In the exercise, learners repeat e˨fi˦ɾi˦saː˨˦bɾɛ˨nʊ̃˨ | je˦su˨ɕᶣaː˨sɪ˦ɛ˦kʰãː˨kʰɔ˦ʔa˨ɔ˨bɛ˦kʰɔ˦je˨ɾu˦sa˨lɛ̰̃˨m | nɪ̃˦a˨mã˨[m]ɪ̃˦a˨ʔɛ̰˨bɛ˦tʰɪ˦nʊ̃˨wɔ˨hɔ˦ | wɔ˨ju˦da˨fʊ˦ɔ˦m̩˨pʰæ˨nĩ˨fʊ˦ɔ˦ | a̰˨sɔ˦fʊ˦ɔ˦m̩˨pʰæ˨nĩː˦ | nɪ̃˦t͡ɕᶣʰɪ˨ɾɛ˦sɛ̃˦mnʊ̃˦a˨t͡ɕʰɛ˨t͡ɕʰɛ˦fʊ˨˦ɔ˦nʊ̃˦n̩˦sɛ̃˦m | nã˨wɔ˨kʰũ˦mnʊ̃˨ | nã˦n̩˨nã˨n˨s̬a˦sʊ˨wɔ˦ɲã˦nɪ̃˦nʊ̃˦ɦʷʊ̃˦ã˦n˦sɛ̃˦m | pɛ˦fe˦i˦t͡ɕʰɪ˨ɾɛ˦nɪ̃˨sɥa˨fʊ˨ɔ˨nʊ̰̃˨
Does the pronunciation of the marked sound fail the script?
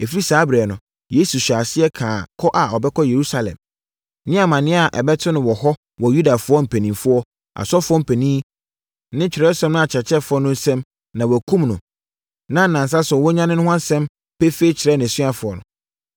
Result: yes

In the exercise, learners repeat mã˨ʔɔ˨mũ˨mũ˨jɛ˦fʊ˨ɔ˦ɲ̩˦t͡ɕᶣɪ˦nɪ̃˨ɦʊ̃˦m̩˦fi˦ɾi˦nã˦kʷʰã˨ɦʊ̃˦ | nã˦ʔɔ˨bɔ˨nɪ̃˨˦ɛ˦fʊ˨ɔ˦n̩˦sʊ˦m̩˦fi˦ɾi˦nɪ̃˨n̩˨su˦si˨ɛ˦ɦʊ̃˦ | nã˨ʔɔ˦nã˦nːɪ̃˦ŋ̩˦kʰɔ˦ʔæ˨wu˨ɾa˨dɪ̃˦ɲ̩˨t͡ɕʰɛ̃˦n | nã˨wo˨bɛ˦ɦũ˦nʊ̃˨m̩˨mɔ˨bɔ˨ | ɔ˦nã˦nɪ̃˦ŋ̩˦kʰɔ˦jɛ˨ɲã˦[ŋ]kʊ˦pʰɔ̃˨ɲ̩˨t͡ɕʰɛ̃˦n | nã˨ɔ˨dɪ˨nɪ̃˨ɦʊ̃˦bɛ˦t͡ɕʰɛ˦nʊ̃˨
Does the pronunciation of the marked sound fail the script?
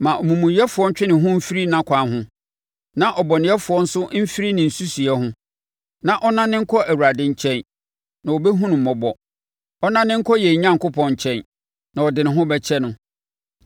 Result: no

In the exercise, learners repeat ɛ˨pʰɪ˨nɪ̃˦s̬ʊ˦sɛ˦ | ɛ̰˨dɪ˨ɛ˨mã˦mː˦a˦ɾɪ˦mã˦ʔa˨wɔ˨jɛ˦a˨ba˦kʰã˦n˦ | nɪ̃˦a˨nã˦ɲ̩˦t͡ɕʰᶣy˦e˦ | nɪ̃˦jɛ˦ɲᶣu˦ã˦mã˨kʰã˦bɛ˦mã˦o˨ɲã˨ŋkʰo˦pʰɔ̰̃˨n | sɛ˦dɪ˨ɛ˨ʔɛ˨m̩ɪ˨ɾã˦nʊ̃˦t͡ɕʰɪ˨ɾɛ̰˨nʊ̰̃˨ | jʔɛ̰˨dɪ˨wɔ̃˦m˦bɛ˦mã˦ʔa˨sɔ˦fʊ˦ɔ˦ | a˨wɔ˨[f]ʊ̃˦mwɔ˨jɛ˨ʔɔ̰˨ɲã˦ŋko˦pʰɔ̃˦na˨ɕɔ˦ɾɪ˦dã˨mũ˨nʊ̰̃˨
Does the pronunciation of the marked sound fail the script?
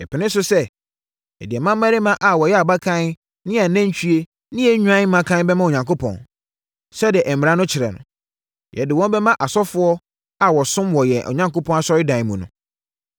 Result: yes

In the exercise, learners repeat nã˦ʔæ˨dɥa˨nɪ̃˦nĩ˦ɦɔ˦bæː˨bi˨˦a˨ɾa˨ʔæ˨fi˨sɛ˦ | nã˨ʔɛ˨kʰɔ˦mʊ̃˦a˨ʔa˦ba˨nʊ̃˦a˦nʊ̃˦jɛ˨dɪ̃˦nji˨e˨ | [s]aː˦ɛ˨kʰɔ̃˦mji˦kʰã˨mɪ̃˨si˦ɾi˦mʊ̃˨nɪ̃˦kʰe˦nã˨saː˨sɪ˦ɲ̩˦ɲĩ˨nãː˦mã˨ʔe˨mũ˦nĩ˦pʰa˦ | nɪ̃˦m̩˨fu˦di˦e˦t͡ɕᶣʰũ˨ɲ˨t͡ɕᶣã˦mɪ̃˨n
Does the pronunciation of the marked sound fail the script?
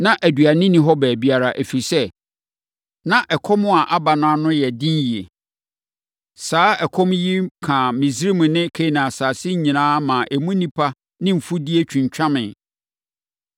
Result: no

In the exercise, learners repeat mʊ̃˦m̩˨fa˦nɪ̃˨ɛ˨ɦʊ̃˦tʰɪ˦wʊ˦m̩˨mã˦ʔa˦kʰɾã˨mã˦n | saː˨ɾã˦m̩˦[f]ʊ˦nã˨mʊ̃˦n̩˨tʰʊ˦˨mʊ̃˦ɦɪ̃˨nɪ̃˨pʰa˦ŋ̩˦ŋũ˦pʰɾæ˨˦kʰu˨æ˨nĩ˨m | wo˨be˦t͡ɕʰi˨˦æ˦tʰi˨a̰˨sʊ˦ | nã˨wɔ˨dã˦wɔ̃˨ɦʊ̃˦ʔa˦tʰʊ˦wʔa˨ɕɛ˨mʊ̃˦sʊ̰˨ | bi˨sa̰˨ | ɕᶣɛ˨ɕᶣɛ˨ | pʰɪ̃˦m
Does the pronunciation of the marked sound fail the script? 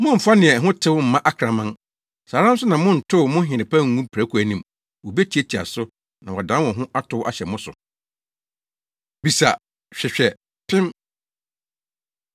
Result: yes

